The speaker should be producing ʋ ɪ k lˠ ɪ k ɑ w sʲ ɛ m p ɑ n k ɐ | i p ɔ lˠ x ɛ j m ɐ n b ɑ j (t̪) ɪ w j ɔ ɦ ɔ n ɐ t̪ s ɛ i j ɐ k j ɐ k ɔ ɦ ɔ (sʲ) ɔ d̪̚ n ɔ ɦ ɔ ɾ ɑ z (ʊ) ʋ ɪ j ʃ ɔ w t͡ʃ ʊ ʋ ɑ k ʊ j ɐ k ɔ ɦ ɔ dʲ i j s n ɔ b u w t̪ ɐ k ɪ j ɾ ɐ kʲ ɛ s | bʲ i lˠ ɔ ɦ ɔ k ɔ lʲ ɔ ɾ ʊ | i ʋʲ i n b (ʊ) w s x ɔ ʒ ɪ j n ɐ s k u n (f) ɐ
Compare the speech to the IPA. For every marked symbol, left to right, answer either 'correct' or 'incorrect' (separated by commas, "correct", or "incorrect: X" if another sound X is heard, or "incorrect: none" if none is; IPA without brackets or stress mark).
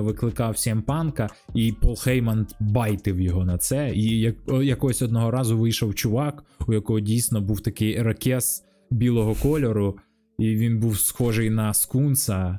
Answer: correct, correct, correct, incorrect: u, incorrect: s